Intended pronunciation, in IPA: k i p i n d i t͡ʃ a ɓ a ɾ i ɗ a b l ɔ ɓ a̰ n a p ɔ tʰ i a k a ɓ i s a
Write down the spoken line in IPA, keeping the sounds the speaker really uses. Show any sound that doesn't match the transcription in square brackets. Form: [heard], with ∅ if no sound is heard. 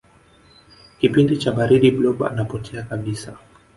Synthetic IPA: k i p i n d i t͡ʃ a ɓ a ɾ i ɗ [i] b l ɔ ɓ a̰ n a p ɔ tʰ [ɛ] a k a ɓ i s a